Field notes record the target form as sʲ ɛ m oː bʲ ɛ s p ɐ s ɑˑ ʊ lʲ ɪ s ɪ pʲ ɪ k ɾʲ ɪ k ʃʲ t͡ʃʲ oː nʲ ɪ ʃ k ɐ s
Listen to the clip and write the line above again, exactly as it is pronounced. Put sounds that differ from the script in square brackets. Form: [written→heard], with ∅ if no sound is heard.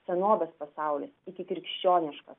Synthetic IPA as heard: sʲ ɛ [m→n] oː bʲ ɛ s p ɐ s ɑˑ ʊ lʲ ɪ s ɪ [pʲ→kʲ] ɪ k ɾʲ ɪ k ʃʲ t͡ʃʲ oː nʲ ɪ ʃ k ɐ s